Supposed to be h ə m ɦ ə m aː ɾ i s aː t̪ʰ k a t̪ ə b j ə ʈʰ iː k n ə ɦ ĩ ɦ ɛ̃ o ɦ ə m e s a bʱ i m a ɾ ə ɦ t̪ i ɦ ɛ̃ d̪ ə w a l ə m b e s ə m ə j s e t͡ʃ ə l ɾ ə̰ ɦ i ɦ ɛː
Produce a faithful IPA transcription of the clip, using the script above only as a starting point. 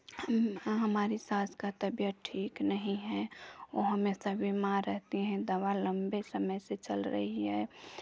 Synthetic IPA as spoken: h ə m ɦ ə m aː ɾ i s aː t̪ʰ k a t̪ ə b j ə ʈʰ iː k n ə ɦ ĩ ɦ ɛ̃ o ɦ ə m e s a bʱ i m a ɾ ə ɦ t̪ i ɦ ɛ̃ d̪ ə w a l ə m b e s ə m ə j s e t͡ʃ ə l ɾ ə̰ ɦ i ɦ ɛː

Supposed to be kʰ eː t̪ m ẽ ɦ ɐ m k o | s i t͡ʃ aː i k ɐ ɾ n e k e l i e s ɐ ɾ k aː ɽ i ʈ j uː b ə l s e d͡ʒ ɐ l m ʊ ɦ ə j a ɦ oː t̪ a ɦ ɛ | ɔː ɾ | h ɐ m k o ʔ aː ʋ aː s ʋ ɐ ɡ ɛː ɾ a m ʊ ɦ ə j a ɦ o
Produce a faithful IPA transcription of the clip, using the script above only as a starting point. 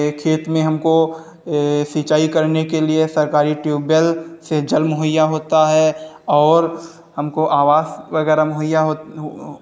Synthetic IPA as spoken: kʰ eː t̪ m ẽ ɦ ɐ m k o | s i t͡ʃ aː i k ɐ ɾ n e k e l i e s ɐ ɾ k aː ɾ i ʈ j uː b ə l s e d͡ʒ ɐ l m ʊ ɦ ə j a ɦ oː t̪ a ɦ ɛ | ɔː ɾ | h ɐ m k o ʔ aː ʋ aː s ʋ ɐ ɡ ɛː ɾ a m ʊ ɦ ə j a ɦ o

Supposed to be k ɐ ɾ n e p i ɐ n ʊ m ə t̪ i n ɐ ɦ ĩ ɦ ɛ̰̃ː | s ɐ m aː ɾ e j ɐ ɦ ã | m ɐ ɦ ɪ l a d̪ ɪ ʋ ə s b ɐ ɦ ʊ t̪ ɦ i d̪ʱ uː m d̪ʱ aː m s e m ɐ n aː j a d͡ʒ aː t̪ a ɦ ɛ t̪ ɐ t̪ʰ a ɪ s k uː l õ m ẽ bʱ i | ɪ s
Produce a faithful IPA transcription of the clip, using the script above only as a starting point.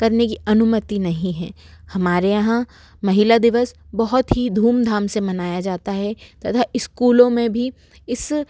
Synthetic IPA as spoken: k ɐ ɾ n e k i ɐ n ʊ m ə t̪ i n ɐ ɦ ĩ ɦ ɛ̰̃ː | h ɐ m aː ɾ e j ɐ ɦ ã | m ɐ ɦ ɪ l a d̪ ɪ ʋ ə s b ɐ ɦ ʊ t̪ ɦ i d̪ʱ uː m d̪ʱ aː m s e m ɐ n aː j a d͡ʒ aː t̪ a ɦ ɛ t̪ ɐ t̪ʰ a ɪ s k uː l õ m ẽ bʱ i | ɪ s

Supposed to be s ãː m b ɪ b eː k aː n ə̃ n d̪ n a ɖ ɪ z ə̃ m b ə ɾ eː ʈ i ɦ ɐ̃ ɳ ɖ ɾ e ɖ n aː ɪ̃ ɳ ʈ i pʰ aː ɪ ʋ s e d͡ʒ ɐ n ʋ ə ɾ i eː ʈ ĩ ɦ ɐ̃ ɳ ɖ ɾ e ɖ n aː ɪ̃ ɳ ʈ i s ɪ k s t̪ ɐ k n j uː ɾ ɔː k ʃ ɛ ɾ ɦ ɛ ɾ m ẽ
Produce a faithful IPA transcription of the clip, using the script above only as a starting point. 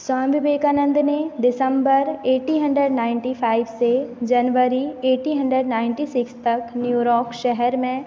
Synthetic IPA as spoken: s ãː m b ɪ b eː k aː n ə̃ n d̪ n e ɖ ɪ s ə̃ m b ə ɾ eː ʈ i ɦ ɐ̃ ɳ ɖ ɾ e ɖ n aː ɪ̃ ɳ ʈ i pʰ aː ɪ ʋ s e d͡ʒ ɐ n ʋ ə ɾ i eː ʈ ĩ ɦ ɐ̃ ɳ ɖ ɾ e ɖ n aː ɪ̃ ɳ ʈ i s ɪ k s t̪ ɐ k n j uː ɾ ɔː k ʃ ɛ ɦ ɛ ɾ m ẽ

